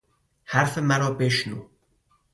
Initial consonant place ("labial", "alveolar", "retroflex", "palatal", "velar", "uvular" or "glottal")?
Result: glottal